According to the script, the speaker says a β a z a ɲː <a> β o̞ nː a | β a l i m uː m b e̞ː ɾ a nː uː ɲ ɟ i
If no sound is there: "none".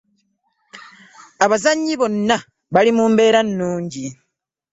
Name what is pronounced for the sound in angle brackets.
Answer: i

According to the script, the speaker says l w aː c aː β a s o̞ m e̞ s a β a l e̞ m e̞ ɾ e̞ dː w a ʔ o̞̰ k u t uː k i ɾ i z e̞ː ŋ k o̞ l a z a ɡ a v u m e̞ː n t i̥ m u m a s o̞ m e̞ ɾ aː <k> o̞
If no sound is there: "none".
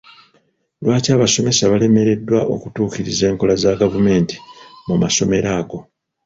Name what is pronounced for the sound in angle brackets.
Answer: ɡ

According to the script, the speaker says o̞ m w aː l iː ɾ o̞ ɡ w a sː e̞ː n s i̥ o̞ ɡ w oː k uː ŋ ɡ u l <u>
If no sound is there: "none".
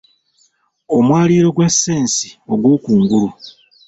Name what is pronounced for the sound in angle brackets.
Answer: u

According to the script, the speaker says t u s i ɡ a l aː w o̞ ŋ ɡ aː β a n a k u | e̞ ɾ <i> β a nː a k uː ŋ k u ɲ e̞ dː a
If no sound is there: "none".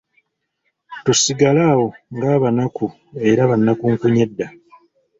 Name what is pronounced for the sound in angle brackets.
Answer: a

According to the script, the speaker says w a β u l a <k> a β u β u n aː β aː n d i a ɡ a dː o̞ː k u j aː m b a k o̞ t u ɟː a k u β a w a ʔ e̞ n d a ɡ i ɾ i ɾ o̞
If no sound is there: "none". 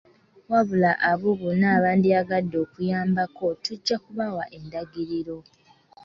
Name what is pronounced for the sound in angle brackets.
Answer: ʔ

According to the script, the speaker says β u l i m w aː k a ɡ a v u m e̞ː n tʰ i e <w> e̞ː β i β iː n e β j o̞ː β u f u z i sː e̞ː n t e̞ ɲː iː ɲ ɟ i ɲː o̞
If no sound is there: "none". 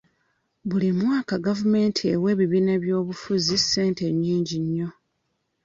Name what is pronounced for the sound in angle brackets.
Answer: w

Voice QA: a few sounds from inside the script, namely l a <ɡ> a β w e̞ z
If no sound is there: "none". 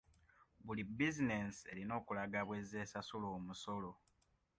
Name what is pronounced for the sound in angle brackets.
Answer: ɡ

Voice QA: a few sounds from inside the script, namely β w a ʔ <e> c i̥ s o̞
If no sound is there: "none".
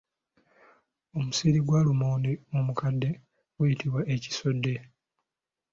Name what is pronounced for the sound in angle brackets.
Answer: e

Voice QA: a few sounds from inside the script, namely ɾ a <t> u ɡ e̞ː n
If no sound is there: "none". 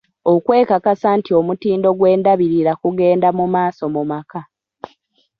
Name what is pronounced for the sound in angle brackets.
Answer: k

